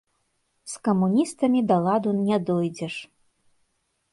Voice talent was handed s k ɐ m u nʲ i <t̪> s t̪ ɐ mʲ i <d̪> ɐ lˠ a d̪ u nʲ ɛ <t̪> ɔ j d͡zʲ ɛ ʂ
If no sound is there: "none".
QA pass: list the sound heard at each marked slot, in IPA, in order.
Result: none, d̪, d̪

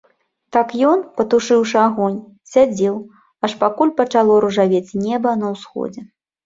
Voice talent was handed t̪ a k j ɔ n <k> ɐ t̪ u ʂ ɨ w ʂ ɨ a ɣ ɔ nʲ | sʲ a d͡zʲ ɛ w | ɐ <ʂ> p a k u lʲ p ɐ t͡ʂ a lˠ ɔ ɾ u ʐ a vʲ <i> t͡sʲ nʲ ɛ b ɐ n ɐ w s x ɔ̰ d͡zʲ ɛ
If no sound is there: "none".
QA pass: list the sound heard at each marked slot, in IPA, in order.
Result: p, ʂ, e

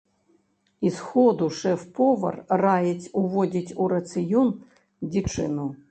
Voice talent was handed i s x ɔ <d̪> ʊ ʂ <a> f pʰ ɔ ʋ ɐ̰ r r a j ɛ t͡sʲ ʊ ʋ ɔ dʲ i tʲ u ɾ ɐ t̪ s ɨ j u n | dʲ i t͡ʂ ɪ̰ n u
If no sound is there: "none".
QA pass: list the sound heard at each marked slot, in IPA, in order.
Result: d̪, ɛ

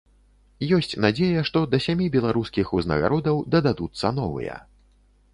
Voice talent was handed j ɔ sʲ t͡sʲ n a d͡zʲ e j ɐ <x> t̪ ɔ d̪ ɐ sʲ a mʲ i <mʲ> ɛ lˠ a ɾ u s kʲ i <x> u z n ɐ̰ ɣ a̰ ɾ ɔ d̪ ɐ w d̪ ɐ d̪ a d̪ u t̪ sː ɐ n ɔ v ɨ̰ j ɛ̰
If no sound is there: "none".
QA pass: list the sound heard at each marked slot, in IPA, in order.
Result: ʂ, bʲ, x

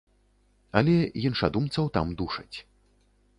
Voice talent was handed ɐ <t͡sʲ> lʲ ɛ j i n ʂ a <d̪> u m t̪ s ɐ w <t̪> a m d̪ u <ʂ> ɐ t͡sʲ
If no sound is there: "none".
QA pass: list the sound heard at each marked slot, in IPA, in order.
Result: none, d̪, t̪, ʂ

